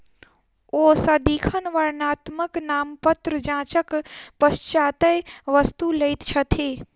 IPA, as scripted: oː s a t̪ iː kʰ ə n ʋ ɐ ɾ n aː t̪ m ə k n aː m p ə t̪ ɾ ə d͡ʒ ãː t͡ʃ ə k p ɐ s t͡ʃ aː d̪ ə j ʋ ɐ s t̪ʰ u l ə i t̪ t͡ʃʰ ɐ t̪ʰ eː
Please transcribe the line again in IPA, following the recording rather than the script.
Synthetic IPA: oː s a d̪ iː kʰ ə n ʋ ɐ ɾ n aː t̪ m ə k n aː m p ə t̪ ɾ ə d͡ʒ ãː t͡ʃ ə k p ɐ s t͡ʃ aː t̪ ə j ʋ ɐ s t̪ u l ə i t̪ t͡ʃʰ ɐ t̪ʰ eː